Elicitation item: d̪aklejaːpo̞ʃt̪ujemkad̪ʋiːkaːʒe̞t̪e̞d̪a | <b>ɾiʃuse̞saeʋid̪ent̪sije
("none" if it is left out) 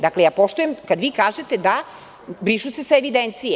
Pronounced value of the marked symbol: b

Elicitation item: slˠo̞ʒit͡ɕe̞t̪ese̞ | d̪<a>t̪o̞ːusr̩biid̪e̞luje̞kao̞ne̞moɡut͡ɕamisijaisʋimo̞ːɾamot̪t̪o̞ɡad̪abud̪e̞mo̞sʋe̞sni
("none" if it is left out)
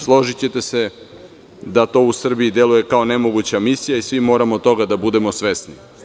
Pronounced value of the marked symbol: a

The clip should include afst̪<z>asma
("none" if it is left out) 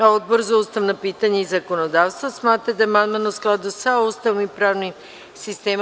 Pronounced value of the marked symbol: v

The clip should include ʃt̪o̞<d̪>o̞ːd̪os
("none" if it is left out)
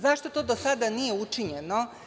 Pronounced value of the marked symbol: t̪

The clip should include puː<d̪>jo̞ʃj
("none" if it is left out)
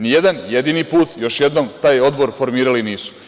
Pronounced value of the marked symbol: t̪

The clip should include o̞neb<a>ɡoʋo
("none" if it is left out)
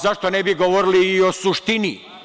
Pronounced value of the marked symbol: i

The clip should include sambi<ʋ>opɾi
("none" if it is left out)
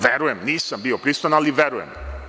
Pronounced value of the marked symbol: none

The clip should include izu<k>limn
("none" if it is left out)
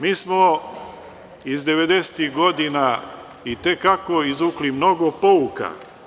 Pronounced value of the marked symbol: k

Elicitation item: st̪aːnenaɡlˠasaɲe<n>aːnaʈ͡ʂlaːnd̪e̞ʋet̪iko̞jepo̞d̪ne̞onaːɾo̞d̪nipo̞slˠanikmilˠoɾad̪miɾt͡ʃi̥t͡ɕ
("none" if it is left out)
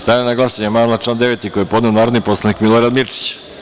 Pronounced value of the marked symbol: m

